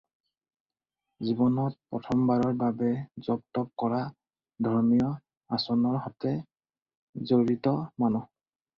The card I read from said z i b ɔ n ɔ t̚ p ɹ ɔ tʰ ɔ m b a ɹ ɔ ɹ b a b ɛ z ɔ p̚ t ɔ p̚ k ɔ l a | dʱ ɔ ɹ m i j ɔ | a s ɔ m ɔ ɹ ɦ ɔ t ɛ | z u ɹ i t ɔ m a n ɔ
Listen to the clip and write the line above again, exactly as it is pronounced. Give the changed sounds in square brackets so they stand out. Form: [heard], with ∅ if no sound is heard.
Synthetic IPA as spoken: z i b ɔ n ɔ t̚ p ɹ ɔ tʰ ɔ m b a ɹ ɔ ɹ b a b ɛ z ɔ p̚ t ɔ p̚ k ɔ [ɹ] a | dʱ ɔ ɹ m i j ɔ | a s ɔ [n] ɔ ɹ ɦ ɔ t ɛ | z [o] ɹ i t ɔ m a n ɔ